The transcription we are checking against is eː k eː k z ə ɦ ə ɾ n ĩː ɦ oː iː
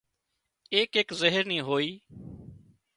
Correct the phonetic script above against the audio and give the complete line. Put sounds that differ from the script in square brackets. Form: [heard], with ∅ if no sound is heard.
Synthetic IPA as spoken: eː k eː k z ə ɦ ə ɾ n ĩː ɦ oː iː